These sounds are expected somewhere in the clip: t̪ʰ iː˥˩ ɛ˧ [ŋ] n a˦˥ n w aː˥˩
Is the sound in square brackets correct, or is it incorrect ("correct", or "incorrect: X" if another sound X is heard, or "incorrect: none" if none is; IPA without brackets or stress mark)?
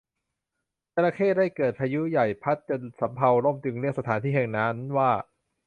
correct